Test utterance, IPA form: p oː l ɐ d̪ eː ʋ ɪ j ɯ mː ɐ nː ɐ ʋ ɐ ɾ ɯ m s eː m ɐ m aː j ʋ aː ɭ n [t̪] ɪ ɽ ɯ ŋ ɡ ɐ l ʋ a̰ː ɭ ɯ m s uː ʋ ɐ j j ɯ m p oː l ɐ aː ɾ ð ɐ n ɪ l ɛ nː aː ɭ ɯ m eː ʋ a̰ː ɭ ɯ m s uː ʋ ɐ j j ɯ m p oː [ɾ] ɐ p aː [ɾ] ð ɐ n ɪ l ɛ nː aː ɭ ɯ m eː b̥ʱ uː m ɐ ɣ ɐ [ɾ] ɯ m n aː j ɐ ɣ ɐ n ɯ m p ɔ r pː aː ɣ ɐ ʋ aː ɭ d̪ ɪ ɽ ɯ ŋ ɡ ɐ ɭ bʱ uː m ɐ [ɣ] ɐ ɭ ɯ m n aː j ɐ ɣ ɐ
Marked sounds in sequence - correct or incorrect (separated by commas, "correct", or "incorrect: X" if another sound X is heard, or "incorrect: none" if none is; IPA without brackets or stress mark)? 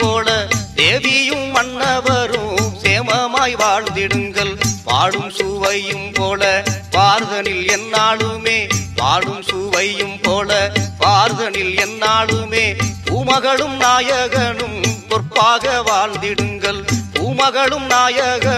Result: incorrect: d̪, incorrect: l, correct, incorrect: ɭ, correct